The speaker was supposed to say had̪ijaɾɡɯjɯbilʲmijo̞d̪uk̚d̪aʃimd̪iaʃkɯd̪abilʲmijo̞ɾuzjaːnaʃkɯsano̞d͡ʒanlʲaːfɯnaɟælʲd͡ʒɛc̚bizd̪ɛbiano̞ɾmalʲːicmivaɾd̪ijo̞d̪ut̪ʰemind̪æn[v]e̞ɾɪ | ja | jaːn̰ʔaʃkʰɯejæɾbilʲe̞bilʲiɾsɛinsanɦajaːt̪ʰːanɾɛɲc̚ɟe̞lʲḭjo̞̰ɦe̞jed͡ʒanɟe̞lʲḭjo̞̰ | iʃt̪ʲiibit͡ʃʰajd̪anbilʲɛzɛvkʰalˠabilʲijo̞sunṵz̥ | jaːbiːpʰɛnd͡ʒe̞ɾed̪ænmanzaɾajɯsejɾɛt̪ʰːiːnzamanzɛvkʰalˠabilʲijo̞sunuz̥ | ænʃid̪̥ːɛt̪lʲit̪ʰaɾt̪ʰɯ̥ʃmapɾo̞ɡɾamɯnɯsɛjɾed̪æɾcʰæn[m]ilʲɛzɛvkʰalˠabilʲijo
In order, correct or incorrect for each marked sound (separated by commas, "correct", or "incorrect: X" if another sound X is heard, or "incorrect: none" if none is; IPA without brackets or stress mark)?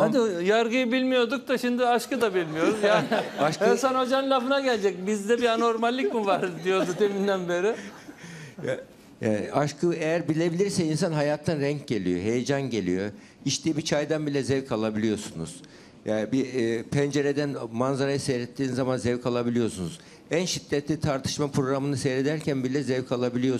incorrect: b, incorrect: b